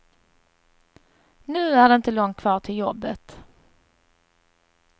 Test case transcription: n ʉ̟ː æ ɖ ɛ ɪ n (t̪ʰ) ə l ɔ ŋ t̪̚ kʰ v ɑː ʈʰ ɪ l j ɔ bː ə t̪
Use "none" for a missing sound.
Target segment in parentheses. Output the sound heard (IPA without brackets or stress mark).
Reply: t̪